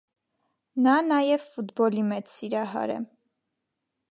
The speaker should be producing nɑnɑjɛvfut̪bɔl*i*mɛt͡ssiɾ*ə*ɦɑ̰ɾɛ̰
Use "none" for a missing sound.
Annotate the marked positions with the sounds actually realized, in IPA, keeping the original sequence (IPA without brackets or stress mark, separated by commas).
i, ɑ